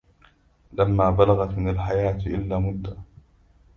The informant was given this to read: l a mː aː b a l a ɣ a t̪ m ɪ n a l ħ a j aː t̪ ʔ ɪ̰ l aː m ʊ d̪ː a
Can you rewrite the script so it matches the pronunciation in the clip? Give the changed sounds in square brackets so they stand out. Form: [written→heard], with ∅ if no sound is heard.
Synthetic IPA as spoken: l a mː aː b a l a ɣ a t̪ m ɪ n a l ħ a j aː t̪ ʔ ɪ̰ [l→lː] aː m ʊ d̪ː a